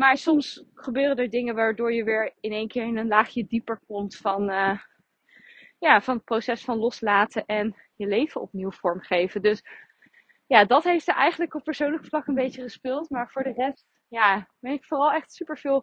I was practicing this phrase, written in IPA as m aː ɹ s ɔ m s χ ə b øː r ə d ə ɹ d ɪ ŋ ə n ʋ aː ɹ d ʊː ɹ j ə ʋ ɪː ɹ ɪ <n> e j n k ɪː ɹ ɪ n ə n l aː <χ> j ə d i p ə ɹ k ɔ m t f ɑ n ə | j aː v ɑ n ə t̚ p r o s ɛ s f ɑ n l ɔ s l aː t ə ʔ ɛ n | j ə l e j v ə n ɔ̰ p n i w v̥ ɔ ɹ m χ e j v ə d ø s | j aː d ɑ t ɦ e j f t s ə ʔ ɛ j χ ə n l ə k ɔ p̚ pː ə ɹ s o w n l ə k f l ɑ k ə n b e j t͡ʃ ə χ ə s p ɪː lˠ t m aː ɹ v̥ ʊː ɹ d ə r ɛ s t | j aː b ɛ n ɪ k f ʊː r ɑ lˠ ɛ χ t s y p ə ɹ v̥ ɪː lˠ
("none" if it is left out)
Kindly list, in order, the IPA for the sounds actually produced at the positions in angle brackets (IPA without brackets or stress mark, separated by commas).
n, χ